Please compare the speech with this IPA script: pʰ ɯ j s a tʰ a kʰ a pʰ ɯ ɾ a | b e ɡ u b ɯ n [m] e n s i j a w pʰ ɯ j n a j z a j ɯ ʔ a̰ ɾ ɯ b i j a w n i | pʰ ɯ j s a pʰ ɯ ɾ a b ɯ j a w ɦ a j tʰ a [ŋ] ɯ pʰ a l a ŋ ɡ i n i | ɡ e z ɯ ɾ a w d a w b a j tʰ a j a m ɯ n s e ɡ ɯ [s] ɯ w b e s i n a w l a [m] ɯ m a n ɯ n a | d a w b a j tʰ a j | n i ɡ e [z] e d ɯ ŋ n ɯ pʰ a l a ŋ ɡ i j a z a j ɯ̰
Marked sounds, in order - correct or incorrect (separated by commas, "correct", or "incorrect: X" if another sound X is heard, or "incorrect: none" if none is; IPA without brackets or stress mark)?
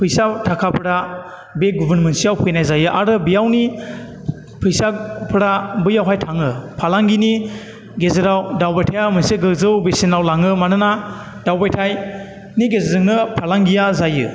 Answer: correct, correct, incorrect: z, incorrect: ŋ, correct